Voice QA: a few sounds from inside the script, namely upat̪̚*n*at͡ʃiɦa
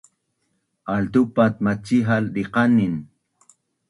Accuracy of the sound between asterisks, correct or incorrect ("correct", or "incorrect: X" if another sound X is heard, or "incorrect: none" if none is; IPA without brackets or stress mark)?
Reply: incorrect: m